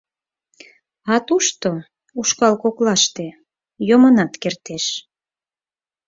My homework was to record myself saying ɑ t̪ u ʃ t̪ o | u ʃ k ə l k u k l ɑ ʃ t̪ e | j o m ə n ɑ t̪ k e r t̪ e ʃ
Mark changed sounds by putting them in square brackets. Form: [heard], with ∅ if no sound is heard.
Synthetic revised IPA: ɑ t̪ u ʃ t̪ o | u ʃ k [ɑ] l k [o] k l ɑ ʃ t̪ e | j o m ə n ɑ t̪ k e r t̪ e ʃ